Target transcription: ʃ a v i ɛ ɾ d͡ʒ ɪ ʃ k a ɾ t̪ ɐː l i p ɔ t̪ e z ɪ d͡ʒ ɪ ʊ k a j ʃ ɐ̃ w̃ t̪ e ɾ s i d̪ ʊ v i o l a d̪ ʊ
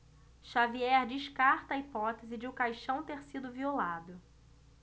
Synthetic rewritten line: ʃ a v i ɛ ɾ d͡ʒ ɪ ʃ k a ɾ t̪ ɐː i p ɔ t̪ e z ɪ d͡ʒ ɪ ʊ k a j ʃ ɐ̃ w̃ t̪ e ɾ s i d̪ ʊ v i o l a d̪ ʊ